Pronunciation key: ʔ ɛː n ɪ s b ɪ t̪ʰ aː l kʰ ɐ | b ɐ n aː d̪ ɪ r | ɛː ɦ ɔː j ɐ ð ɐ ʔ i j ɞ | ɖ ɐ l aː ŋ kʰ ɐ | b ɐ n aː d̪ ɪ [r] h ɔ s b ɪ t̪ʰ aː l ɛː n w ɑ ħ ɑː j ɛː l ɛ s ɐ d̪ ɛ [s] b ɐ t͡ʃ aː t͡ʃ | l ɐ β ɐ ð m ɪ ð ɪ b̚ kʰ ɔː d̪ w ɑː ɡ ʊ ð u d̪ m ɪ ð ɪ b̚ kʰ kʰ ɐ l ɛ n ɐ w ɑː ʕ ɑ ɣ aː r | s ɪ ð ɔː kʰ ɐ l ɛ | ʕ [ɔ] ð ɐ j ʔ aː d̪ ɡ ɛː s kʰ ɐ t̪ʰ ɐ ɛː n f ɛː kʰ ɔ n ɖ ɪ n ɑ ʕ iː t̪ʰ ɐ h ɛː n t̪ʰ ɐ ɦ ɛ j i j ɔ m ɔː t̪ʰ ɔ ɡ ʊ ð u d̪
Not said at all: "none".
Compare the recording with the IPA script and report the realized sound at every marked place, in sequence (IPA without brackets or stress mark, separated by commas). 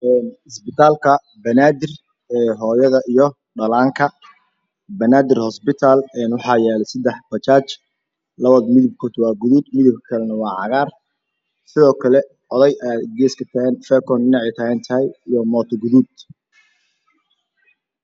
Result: r, ħ, ɔ